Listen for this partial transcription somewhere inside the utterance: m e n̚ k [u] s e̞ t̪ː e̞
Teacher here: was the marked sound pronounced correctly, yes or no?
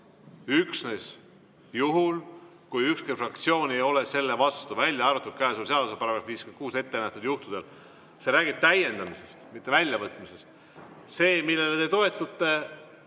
no